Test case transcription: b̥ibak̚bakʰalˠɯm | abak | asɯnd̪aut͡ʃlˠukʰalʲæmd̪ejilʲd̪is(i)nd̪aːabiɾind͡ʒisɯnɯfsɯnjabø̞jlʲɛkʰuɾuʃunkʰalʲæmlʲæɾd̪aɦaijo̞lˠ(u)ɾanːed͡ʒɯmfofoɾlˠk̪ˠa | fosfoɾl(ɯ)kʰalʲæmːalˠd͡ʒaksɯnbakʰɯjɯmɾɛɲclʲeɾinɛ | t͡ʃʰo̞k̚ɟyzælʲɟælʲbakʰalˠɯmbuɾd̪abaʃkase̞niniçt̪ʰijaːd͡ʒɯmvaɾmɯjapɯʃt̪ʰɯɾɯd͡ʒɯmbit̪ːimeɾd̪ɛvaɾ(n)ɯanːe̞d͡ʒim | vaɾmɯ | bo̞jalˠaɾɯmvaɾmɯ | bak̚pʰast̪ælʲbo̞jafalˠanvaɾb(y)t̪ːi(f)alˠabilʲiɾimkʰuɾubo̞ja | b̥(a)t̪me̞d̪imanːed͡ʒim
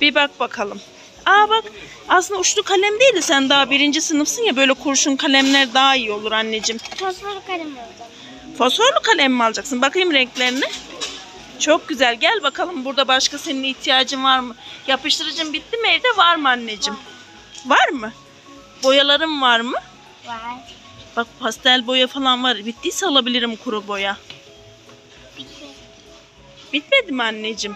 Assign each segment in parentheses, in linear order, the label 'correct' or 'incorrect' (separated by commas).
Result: incorrect, correct, incorrect, incorrect, incorrect, incorrect, incorrect